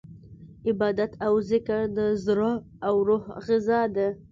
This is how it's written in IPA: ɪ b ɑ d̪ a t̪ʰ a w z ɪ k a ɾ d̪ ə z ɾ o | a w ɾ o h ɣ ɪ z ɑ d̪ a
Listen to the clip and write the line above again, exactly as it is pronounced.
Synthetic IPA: ɪ b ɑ d̪ a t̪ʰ a w z ɪ k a ɾ d̪ ə z ɾ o | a w ɾ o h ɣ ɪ z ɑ d̪ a